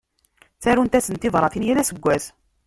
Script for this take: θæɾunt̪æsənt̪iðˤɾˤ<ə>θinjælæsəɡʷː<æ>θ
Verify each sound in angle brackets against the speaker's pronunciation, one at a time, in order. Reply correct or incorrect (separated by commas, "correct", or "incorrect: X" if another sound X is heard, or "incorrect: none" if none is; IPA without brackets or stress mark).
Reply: incorrect: ɑ, correct